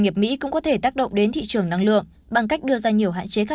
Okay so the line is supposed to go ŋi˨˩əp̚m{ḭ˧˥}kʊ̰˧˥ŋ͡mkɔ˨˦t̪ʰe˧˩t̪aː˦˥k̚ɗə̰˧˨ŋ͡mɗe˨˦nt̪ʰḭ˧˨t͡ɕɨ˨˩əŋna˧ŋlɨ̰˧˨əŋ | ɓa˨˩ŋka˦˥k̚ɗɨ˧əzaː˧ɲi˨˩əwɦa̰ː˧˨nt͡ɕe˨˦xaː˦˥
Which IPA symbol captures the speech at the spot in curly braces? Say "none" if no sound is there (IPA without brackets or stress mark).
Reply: ḭ˧˥